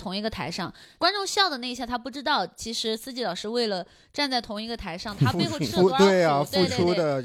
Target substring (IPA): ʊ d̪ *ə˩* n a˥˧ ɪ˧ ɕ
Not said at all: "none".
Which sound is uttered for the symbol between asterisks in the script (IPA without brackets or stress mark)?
ə˩